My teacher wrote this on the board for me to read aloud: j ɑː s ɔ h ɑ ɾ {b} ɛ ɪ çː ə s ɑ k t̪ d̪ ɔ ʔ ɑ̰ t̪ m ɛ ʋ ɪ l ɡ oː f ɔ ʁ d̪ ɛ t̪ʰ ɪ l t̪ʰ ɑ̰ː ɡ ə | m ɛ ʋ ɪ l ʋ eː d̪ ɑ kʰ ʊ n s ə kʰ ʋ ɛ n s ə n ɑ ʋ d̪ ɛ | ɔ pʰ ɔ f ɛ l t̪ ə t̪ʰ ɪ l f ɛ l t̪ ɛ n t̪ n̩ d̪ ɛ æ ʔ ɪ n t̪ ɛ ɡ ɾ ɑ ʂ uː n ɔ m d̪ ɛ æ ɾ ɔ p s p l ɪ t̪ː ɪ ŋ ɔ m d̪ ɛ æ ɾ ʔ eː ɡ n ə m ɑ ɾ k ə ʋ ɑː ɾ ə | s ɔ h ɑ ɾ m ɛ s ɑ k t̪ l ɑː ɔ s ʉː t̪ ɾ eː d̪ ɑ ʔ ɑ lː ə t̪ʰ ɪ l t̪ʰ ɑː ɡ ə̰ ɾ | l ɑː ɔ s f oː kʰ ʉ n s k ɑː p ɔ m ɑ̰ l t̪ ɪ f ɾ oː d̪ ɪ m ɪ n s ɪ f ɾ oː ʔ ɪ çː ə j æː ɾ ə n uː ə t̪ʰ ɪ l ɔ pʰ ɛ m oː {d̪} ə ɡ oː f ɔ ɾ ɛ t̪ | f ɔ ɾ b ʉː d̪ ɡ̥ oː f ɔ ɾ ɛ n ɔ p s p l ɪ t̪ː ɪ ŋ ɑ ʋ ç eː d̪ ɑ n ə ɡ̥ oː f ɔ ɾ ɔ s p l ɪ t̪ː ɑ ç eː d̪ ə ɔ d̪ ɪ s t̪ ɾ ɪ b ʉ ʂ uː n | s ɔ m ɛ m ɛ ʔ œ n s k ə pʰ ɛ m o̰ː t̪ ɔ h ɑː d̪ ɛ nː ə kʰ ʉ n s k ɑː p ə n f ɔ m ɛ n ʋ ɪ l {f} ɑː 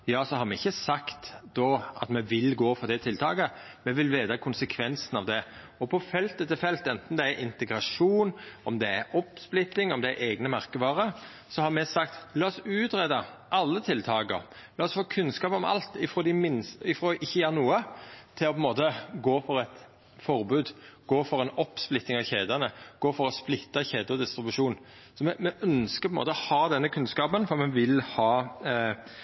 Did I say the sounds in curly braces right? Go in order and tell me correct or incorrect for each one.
incorrect: m, incorrect: t̪, incorrect: h

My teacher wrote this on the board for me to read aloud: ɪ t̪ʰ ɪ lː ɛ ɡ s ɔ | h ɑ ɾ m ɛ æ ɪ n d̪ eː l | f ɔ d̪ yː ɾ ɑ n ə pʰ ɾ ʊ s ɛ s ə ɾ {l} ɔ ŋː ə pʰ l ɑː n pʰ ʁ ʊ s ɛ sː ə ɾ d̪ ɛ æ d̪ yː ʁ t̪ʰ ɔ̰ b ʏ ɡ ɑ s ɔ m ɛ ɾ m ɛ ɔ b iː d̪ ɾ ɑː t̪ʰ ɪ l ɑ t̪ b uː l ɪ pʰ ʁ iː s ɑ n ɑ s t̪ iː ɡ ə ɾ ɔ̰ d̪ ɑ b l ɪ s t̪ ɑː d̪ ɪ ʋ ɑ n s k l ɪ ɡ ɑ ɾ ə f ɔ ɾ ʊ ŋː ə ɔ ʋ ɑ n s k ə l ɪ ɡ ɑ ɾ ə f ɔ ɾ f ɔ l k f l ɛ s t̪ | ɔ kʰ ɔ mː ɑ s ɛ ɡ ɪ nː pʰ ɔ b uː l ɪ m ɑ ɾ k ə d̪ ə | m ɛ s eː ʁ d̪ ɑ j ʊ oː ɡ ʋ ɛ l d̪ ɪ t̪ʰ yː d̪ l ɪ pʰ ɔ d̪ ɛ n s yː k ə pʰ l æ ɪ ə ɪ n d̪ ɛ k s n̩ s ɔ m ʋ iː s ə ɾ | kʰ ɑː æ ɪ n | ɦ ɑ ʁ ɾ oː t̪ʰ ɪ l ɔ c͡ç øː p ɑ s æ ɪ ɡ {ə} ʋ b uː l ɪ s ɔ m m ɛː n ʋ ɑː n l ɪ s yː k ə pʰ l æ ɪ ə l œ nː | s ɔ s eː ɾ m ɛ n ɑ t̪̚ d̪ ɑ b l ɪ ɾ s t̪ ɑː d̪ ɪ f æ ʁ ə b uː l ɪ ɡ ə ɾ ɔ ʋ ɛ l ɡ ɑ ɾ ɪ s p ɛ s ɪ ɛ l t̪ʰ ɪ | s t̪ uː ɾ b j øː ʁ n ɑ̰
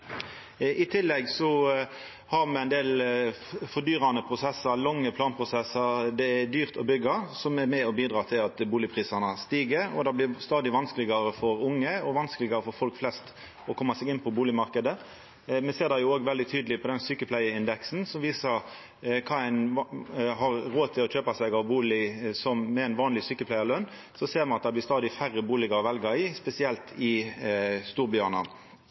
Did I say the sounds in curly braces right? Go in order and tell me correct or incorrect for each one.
correct, incorrect: ɑ

